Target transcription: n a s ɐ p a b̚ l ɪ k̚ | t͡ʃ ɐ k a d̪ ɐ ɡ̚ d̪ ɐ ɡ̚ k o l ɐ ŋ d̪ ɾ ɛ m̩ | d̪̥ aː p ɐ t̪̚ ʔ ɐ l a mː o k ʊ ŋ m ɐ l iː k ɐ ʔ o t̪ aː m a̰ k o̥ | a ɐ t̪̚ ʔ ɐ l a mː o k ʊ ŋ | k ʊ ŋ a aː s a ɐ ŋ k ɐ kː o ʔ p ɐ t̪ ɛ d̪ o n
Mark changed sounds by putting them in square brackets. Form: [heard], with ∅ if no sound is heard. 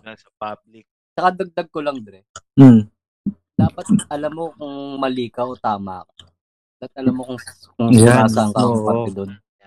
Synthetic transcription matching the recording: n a s ɐ p a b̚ l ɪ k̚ | t͡ʃ ɐ k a d̪ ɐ ɡ̚ d̪ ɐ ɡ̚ k o l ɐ ŋ d̪ ɾ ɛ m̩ | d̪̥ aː p ɐ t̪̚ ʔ ɐ l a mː o k ʊ ŋ m ɐ l iː k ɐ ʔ o t̪ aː m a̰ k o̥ | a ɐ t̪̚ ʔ ɐ l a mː o k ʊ ŋ | k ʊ ŋ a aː s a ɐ ŋ k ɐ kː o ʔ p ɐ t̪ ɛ d̪ o n